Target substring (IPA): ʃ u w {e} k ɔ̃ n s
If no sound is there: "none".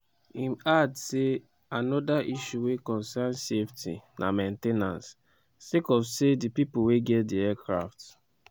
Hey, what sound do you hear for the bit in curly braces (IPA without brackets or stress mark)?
e